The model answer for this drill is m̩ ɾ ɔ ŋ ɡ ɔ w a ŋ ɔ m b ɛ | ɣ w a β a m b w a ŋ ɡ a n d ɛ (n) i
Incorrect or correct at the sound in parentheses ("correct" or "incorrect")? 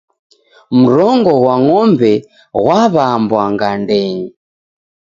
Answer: incorrect